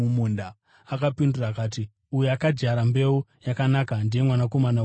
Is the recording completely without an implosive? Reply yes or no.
yes